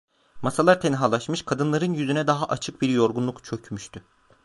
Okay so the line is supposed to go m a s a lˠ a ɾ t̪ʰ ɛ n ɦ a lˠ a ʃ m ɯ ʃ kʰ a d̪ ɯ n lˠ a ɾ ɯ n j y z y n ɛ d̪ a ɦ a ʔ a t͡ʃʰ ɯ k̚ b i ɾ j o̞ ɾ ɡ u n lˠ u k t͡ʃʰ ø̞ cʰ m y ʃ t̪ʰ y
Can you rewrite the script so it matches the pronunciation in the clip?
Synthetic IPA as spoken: m a s a lˠ a ɾ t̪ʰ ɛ n ɦ a lˠ a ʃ m ɯ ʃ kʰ a d̪ ɯ n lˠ a ɾ ɯ n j y z y n ɛ d̪ a ɦ a ʔ a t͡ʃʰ ɯ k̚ b i ɾ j o̞ ɾ ɡ u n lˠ u k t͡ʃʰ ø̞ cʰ m y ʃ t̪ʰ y